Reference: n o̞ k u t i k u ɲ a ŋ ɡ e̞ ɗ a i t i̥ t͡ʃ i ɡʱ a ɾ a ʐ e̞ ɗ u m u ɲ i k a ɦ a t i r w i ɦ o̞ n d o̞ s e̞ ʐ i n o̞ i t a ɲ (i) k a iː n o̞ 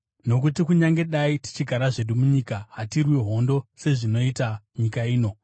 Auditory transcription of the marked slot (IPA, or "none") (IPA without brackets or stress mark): i